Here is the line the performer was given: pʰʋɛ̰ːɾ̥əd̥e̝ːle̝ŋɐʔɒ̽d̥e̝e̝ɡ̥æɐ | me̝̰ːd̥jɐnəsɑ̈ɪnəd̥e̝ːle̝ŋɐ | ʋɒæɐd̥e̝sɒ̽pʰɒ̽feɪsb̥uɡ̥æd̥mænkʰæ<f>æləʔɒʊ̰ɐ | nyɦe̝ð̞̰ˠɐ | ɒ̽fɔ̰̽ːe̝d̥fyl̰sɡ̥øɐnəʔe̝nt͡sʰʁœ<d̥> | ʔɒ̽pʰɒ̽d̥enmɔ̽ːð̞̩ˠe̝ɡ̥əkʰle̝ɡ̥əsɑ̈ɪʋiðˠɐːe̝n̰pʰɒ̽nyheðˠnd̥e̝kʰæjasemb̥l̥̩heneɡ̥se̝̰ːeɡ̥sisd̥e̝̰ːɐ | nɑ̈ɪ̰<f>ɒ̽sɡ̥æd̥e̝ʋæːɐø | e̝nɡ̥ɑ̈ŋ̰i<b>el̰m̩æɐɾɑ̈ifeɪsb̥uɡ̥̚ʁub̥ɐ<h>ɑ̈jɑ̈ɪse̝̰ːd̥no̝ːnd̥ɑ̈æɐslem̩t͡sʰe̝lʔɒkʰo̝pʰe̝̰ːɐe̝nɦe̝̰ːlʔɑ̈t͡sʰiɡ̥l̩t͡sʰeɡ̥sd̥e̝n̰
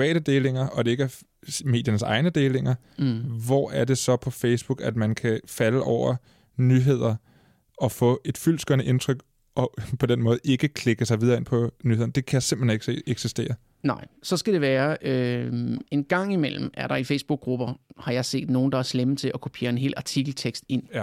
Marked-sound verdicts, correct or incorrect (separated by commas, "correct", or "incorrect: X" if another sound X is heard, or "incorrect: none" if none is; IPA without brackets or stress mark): correct, incorrect: ɡ̥, incorrect: s, incorrect: m, correct